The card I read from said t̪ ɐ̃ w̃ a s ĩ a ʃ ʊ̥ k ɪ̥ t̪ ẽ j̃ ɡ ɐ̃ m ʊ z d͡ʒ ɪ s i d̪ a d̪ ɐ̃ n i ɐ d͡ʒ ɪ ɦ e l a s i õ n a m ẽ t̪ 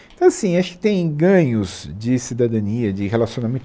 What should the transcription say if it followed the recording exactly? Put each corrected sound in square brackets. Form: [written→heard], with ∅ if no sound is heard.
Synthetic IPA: t̪ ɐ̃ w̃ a s ĩ a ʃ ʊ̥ k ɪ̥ t̪ ẽ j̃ ɡ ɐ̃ [m→ɲ] ʊ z d͡ʒ ɪ s i d̪ a d̪ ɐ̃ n i ɐ d͡ʒ ɪ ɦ e l a s i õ n a m ẽ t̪